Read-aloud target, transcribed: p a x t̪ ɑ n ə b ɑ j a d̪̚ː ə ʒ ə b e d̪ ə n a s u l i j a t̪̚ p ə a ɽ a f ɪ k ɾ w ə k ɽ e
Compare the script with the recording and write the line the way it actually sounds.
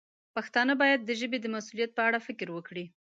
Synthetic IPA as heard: p a x t̪ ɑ n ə b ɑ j a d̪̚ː ə ʒ ə b e d̪ ə m a s u l i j a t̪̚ p ə a ɽ a f ɪ k ɾ w ə k ɽ i